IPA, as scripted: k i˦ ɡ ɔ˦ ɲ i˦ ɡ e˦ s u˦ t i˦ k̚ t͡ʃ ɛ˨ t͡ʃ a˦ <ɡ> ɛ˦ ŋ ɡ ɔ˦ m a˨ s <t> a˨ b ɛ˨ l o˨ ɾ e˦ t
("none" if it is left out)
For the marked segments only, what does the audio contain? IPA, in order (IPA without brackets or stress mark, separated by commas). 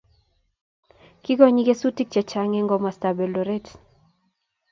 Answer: ŋ, t